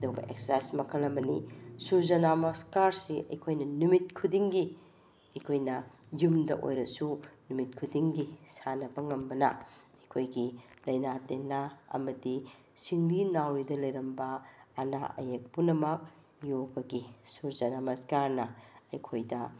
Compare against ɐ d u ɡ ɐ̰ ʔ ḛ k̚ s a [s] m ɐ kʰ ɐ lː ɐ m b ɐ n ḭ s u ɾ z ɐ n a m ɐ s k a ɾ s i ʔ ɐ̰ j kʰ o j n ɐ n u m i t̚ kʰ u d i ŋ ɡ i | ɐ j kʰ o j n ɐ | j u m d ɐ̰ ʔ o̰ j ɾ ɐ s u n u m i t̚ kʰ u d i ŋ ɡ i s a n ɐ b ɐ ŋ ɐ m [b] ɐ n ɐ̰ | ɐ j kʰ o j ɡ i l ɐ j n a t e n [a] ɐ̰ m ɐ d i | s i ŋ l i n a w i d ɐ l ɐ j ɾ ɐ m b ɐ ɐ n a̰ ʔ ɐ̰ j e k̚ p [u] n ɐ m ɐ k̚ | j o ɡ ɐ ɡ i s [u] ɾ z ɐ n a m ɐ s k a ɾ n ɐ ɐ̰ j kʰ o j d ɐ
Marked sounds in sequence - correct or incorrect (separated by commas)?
correct, correct, correct, correct, correct